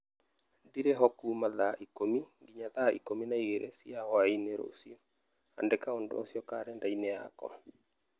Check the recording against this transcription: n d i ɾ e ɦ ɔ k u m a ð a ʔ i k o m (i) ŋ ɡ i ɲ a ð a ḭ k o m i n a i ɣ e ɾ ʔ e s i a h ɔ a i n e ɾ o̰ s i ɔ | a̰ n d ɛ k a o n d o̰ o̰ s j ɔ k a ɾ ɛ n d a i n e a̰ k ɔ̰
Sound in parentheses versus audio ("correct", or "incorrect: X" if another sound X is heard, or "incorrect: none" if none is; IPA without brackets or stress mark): correct